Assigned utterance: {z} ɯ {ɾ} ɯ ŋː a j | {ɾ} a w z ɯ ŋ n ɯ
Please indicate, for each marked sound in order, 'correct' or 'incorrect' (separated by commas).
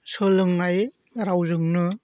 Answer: incorrect, incorrect, correct